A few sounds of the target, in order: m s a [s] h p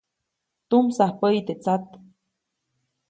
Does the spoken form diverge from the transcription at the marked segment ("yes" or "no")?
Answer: yes